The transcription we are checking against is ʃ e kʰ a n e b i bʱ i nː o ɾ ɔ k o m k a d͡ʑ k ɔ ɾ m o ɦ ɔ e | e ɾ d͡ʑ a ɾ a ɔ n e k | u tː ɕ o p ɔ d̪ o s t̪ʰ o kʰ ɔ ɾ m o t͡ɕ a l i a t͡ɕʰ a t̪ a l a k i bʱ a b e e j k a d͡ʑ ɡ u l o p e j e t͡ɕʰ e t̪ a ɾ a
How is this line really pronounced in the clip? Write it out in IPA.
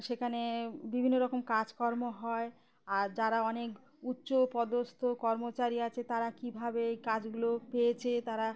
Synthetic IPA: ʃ e kʰ a n e b i bʱ i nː o ɾ ɔ k o m k a d͡ʑ k ɔ ɾ m o ɦ ɔ e | a ɾ d͡ʑ a ɾ a ɔ n e k | u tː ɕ o p ɔ d̪ o s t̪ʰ o k ɔ ɾ m o t͡ɕ a ɾ i a t͡ɕʰ e t̪ a ɾ a k i bʱ a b e e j k a d͡ʑ ɡ u l o p e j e t͡ɕʰ e t̪ a ɾ a